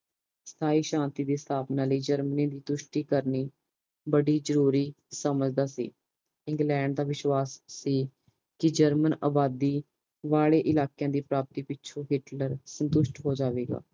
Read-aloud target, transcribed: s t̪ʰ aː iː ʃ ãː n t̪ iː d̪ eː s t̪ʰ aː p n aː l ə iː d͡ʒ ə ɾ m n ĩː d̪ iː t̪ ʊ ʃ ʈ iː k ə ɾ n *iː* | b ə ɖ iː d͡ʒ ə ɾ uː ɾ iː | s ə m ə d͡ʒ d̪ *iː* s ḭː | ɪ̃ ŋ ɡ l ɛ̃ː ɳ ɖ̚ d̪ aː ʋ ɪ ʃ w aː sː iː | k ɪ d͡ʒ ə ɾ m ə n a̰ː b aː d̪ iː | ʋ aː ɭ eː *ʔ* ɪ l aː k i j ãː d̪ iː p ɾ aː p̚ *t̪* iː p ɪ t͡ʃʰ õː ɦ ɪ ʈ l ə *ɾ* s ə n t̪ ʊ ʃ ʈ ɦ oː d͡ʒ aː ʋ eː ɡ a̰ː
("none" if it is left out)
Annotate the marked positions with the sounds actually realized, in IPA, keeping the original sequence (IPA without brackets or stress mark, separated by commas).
iː, aː, ʔ, t̪, ɾ